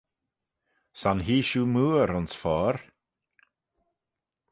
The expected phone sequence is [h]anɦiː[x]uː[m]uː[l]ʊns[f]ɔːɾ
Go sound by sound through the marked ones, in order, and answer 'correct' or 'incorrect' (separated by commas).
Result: incorrect, incorrect, correct, incorrect, correct